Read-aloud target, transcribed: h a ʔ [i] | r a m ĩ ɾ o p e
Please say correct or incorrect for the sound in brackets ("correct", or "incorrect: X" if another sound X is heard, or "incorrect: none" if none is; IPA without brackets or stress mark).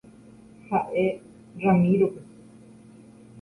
incorrect: e